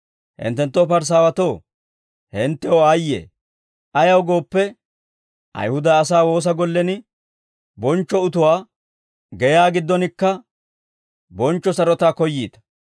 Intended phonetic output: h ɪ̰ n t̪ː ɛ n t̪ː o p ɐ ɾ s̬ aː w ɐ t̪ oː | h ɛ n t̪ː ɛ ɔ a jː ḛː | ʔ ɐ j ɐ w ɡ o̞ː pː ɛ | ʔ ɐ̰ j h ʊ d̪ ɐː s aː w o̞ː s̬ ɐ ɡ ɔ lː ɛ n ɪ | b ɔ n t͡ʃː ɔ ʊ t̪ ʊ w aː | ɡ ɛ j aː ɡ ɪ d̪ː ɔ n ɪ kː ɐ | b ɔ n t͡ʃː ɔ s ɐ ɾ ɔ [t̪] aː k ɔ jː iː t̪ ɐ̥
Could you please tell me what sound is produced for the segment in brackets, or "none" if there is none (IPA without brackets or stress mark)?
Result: t̪